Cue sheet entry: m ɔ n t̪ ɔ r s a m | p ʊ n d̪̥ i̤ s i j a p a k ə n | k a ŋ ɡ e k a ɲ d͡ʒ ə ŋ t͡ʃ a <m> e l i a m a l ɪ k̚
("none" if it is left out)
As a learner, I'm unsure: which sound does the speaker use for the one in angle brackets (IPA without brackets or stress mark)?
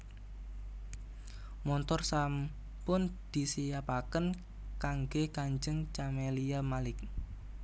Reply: m